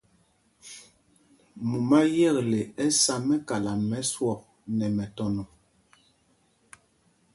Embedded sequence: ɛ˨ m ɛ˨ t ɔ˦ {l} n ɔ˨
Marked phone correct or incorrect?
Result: incorrect